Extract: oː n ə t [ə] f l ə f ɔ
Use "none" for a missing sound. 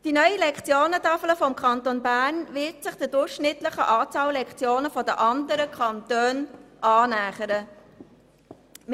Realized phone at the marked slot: ɑ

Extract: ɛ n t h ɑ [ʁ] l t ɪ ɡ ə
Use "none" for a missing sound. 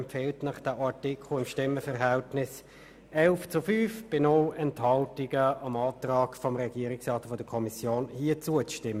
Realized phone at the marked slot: none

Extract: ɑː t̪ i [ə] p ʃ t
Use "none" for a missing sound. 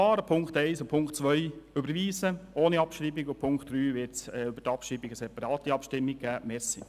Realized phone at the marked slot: ɑ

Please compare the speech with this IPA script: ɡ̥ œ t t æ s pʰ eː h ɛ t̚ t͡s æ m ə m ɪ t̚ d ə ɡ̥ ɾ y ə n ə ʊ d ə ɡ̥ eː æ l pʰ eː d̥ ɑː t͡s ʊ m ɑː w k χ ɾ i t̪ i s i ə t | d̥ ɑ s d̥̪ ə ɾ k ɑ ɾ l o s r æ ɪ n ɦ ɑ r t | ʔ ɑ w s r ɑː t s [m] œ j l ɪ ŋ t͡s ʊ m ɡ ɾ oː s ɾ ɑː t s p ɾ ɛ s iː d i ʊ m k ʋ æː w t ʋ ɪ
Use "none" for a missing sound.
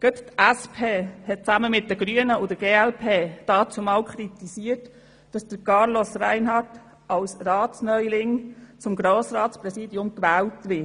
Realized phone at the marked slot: n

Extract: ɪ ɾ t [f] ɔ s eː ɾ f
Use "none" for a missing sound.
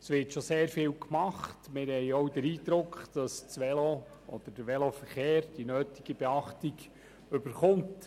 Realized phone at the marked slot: ʃ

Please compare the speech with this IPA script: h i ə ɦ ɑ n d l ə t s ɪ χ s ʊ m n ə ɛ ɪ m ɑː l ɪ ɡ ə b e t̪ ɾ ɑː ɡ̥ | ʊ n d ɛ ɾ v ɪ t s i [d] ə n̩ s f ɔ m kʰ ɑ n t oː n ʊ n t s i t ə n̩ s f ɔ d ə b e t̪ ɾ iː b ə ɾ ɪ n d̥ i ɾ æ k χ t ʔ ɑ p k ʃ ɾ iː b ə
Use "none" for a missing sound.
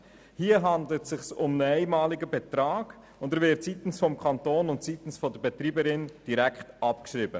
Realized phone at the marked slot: t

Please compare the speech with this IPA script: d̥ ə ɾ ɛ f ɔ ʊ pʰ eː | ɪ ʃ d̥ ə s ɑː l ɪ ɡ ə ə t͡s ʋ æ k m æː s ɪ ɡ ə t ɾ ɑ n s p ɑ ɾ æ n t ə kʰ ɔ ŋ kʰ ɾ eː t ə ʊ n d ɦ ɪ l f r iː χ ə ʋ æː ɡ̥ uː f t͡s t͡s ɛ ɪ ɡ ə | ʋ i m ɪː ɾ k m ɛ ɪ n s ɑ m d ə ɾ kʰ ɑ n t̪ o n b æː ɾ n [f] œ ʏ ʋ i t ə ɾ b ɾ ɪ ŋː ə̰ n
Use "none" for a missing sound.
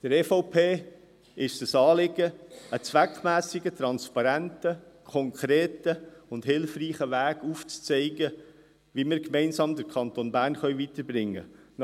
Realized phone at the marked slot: χ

